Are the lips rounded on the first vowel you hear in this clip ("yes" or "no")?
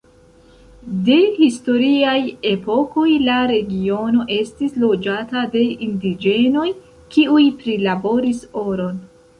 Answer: no